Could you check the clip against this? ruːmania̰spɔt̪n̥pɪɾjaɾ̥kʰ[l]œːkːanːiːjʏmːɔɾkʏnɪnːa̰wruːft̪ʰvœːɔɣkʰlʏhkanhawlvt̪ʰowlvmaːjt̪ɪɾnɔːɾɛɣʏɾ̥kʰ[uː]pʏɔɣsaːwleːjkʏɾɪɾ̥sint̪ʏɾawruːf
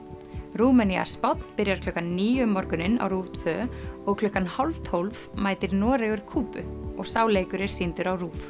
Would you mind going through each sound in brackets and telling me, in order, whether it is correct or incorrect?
correct, correct

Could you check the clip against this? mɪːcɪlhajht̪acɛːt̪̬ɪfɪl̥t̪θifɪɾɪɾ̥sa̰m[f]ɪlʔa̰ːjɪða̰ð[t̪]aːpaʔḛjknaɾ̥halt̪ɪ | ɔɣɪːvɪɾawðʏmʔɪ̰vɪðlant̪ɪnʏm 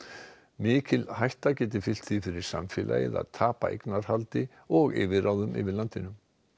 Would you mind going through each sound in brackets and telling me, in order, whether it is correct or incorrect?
correct, incorrect: t̪ʰ

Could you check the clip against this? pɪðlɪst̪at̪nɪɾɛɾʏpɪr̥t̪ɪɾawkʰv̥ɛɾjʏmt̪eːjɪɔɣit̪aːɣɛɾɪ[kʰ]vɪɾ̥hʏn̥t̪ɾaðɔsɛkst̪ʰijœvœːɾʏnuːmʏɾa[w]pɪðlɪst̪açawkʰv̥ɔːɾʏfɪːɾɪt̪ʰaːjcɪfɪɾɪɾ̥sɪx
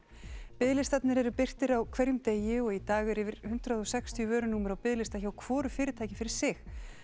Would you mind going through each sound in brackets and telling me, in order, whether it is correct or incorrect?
incorrect: none, correct

